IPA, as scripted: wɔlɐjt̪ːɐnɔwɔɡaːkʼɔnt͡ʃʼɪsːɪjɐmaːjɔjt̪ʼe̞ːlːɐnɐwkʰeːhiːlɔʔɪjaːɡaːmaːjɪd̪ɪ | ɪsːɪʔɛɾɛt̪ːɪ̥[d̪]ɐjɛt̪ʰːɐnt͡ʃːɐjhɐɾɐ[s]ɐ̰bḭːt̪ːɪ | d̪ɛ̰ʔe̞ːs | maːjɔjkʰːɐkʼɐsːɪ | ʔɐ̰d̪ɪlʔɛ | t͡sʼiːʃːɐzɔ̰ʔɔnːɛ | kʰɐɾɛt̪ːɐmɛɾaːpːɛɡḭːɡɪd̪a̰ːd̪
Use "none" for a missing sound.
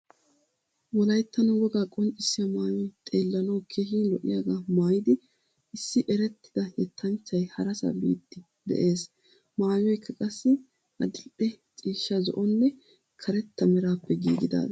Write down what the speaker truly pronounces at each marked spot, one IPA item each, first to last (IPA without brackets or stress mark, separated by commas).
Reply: d̪, s